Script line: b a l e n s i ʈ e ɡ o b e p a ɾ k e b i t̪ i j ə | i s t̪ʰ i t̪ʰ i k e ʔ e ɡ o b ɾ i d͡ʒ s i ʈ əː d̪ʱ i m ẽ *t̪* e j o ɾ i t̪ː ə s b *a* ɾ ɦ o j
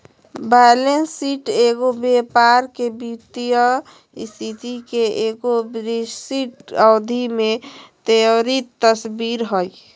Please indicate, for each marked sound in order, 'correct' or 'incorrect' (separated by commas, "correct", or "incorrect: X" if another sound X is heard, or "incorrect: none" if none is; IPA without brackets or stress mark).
correct, incorrect: i